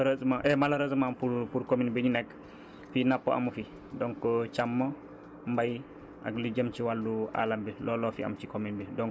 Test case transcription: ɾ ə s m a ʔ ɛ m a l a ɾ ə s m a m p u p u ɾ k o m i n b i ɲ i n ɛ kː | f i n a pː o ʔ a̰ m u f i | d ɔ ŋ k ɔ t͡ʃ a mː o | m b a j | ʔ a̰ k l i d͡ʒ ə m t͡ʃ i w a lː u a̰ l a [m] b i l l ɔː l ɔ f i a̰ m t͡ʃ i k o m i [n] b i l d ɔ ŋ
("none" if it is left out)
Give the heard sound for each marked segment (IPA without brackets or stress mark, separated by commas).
m, n